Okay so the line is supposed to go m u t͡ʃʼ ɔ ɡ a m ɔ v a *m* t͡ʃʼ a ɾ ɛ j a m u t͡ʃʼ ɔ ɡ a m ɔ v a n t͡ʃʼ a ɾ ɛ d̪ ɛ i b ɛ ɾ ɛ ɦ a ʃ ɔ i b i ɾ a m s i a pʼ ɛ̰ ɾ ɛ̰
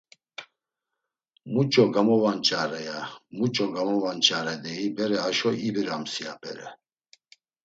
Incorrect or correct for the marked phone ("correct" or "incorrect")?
incorrect